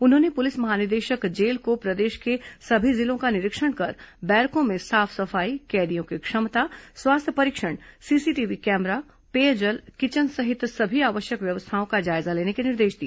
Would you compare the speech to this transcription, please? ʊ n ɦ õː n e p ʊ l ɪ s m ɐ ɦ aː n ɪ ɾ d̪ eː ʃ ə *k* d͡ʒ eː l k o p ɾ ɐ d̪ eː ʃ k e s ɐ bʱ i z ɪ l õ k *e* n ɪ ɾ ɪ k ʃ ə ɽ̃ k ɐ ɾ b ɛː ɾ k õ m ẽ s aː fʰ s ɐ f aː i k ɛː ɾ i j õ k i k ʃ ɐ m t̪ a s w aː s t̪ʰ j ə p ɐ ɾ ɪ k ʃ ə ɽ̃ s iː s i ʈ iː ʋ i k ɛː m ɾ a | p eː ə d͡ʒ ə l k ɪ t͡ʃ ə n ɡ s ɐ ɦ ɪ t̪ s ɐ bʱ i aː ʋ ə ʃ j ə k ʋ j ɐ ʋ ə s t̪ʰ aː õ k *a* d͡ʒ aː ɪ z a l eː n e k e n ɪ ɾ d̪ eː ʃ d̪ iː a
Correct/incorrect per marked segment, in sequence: correct, incorrect: a, correct

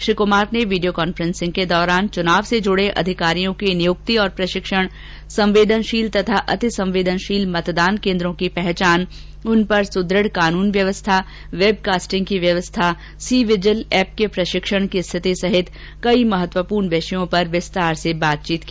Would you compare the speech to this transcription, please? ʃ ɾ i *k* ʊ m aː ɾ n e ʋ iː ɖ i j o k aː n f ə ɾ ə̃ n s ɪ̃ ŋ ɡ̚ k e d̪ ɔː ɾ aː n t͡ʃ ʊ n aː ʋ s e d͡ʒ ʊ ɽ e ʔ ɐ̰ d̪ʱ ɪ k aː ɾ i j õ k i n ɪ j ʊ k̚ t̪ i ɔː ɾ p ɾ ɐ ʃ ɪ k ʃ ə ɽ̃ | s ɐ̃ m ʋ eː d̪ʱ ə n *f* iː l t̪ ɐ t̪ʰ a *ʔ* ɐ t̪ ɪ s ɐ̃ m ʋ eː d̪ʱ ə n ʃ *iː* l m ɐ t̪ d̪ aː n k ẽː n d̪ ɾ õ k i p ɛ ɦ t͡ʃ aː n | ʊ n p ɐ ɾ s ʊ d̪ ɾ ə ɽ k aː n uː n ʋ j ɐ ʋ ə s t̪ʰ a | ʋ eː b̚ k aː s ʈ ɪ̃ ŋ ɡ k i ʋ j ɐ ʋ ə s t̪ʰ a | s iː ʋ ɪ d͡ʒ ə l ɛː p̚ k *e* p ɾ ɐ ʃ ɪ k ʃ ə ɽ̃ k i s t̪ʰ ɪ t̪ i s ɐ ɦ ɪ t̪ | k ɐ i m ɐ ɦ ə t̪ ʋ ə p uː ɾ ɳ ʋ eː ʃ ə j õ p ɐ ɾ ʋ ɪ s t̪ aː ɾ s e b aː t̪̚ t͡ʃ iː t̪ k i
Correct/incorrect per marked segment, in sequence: correct, incorrect: ʃ, correct, correct, correct

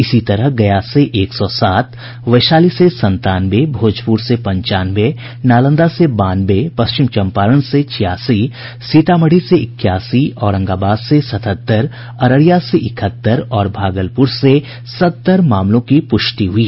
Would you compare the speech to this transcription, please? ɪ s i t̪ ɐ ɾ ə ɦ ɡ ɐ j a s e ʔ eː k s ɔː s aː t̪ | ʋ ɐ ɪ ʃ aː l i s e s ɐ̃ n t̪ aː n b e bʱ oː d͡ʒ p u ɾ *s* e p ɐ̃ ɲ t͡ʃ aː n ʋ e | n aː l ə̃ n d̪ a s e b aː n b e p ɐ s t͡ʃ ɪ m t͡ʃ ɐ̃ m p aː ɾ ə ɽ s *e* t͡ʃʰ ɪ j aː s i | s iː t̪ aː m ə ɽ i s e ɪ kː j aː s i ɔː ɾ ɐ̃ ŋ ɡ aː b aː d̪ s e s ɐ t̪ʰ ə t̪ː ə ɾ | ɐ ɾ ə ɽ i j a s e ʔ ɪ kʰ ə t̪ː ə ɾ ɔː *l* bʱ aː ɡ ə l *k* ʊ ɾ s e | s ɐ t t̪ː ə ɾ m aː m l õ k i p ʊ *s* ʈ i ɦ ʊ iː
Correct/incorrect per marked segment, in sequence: correct, correct, incorrect: ɾ, incorrect: p, incorrect: ʃ

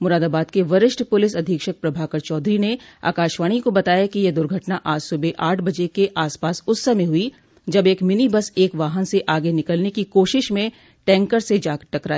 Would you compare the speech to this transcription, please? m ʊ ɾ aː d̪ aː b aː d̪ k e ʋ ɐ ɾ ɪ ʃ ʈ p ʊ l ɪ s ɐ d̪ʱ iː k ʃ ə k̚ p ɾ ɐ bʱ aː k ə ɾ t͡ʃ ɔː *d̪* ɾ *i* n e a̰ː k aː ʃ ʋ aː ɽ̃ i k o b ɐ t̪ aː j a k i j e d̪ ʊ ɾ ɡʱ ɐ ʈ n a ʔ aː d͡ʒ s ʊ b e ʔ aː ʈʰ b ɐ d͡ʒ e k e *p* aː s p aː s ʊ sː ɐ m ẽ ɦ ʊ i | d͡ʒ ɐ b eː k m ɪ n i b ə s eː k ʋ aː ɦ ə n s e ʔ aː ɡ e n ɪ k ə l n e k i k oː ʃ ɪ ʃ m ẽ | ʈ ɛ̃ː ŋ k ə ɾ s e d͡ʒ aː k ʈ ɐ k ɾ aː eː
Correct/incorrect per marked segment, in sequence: correct, correct, incorrect: ʔ

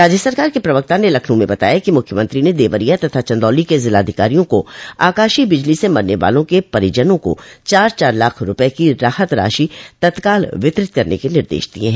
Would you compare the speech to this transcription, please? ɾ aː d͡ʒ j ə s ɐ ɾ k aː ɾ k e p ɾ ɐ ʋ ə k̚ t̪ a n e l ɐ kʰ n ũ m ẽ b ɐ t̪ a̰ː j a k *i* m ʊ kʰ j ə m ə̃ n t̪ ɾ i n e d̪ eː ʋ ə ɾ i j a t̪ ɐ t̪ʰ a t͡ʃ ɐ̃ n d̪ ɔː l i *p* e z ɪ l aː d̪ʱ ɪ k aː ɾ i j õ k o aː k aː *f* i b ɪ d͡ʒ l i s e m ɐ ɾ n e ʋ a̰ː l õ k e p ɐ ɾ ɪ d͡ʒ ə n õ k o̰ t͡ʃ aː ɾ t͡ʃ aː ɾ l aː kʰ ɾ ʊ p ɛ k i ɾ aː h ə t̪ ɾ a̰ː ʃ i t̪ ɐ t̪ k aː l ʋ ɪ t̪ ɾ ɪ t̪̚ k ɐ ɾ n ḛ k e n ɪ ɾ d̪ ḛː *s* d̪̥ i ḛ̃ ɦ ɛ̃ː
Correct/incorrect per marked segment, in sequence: correct, incorrect: k, incorrect: ʃ, incorrect: ʃ

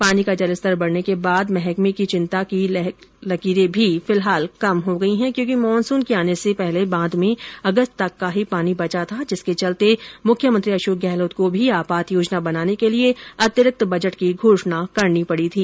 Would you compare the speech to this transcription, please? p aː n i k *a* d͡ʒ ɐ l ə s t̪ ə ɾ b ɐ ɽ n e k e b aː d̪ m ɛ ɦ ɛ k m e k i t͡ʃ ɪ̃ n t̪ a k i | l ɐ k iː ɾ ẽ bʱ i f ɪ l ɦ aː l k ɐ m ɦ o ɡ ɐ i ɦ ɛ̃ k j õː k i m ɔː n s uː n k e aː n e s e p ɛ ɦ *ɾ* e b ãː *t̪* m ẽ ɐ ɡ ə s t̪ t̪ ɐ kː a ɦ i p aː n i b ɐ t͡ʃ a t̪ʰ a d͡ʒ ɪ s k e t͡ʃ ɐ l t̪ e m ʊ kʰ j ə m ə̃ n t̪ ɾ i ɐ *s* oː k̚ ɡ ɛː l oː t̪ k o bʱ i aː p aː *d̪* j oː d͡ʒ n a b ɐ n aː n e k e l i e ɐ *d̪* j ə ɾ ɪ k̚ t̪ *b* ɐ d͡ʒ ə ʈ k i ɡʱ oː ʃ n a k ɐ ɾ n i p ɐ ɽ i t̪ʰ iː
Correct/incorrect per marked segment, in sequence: correct, incorrect: l, incorrect: d̪, incorrect: ʃ, incorrect: t̪, incorrect: t̪, correct

